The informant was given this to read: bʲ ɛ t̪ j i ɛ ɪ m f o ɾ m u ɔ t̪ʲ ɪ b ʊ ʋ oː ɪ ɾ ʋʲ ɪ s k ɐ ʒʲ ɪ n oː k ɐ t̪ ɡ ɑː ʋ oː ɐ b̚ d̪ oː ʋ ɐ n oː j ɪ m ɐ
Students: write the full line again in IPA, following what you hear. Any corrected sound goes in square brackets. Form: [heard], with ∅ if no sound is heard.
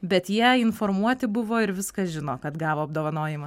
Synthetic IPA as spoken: bʲ ɛ t̪ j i ɛ ɪ [n] f o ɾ m u ɔ t̪ʲ ɪ b ʊ ʋ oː ɪ ɾ ʋʲ ɪ s k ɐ ʒʲ ɪ n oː k ɐ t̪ ɡ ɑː ʋ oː ɐ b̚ d̪ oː ʋ ɐ n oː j ɪ m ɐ